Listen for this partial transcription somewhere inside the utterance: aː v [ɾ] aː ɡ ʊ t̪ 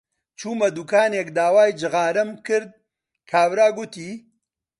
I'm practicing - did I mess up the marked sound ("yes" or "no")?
no